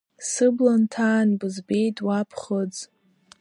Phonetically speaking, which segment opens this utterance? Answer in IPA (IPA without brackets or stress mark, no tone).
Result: s